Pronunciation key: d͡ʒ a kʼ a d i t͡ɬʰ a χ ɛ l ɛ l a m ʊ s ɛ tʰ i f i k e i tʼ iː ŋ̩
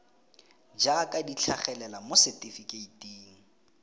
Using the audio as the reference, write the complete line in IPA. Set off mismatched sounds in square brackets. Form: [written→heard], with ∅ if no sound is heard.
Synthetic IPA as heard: d͡ʒ a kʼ a d i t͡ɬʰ a χ ɛ l ɛ l a m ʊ s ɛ [tʰ→t] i f i k e i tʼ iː ŋ̩